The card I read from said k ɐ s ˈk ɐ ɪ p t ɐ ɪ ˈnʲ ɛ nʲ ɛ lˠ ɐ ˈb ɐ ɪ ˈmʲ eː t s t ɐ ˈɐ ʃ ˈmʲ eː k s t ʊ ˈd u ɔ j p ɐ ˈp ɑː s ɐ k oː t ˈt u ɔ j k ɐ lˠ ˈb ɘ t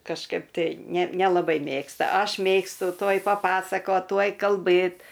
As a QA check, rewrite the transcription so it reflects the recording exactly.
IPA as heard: k ɐ ʃ ˈk ɐ ɪ p t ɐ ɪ ˈnʲ ɛ nʲ ɛ lˠ ɐ ˈb ɐ ɪ ˈmʲ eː k s t ɐ ˈɐ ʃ ˈmʲ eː k s t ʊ ˈt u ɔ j p ɐ ˈp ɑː s ɐ k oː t ˈt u ɔ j k ɐ lˠ ˈb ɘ t